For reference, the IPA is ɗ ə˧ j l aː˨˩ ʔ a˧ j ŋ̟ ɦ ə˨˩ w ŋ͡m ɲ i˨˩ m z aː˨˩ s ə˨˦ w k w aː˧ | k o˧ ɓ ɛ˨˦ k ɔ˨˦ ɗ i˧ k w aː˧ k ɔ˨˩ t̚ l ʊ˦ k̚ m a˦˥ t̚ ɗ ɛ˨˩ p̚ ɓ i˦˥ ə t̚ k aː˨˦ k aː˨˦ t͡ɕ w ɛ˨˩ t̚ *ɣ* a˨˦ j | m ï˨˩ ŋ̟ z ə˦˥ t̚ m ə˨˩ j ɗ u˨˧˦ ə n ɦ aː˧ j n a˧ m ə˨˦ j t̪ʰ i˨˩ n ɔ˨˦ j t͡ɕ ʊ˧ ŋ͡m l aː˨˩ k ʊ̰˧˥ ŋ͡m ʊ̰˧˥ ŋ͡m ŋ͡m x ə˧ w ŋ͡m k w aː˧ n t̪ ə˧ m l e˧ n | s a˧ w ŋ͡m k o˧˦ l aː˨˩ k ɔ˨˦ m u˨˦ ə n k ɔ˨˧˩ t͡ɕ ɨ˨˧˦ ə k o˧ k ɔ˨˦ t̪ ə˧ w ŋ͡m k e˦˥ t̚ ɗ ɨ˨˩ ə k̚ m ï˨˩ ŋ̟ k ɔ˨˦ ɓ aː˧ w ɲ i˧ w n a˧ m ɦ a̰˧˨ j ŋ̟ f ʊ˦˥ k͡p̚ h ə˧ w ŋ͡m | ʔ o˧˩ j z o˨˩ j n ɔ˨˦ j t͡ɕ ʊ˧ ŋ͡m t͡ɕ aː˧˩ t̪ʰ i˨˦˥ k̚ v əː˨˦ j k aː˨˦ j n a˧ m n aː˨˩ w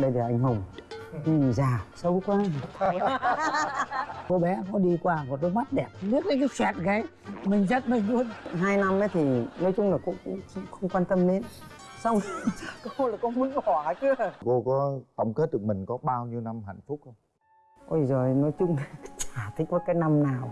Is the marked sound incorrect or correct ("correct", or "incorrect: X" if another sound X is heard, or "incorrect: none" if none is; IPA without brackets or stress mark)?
correct